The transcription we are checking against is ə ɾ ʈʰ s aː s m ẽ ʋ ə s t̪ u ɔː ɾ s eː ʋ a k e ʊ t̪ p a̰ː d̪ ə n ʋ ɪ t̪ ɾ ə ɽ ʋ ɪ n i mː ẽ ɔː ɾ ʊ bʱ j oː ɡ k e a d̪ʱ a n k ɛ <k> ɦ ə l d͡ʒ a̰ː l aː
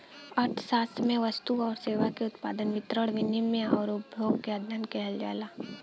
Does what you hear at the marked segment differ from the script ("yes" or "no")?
yes